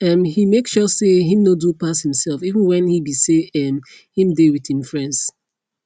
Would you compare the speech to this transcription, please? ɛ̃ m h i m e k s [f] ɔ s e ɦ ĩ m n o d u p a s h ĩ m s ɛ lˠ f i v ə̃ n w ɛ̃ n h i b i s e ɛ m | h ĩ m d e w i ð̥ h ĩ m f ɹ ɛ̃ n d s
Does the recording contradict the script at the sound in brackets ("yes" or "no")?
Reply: yes